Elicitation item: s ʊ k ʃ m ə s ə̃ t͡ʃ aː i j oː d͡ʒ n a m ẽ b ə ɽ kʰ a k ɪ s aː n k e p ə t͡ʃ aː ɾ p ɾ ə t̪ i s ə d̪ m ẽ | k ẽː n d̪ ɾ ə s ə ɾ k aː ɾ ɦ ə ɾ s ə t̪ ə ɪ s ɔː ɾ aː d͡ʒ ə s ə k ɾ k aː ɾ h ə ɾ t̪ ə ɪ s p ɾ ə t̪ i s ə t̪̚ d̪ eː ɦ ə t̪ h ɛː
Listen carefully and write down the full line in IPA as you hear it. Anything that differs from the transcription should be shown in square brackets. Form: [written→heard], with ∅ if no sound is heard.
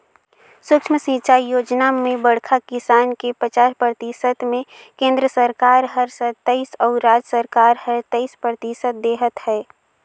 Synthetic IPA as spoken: s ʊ k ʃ m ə s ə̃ t͡ʃ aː i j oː d͡ʒ n a m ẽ b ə ɽ kʰ a k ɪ s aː n k e p ə t͡ʃ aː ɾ p ɾ ə t̪ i s ə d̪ m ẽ | k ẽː n d̪ ɾ ə s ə ɾ k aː ɾ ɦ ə ɾ s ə t̪ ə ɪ s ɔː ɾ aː d͡ʒ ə s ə [k→∅] ɾ k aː ɾ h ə ɾ t̪ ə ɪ s p ɾ ə t̪ i s ə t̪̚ d̪ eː ɦ ə t̪ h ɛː